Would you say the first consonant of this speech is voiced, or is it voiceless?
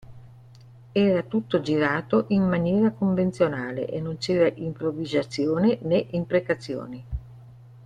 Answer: voiced